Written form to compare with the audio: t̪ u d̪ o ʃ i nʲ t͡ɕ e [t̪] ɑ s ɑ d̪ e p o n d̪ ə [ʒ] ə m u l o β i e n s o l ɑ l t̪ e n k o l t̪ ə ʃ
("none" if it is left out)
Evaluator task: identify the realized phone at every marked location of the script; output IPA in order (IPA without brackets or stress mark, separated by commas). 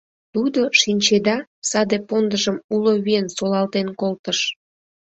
d̪, ʒ